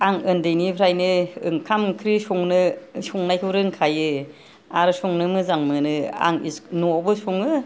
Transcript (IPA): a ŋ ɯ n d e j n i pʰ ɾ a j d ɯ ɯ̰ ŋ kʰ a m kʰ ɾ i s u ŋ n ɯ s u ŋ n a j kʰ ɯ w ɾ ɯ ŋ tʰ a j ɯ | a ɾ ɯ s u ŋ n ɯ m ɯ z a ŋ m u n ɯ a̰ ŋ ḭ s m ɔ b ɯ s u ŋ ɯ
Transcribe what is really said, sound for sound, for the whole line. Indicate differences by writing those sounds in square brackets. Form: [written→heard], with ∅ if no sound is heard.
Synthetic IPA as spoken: a ŋ ɯ n d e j n i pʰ ɾ a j [d→n] ɯ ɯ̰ ŋ kʰ a m kʰ ɾ i s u ŋ n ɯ s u ŋ n a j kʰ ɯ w ɾ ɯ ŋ [tʰ→kʰ] a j ɯ | a ɾ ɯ s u ŋ n ɯ m ɯ z a ŋ m [u→ɯ] n ɯ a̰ ŋ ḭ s [m→n] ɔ b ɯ s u ŋ ɯ